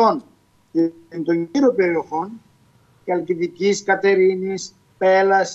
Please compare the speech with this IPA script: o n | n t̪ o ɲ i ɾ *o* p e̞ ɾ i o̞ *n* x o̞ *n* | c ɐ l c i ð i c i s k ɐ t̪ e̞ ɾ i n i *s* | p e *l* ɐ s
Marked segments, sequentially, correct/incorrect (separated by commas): correct, incorrect, correct, correct, correct